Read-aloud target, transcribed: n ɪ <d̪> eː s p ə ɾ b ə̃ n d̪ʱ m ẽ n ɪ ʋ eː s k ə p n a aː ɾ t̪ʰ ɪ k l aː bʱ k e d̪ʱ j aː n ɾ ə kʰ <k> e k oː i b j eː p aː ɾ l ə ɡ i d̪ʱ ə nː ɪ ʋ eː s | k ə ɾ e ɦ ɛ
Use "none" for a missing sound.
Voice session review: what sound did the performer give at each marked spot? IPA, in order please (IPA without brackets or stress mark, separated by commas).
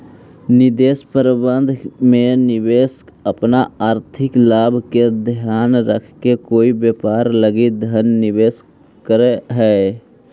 d̪, k